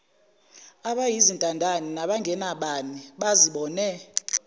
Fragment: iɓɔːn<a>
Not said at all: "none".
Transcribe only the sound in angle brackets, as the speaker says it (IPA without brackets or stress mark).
ɛ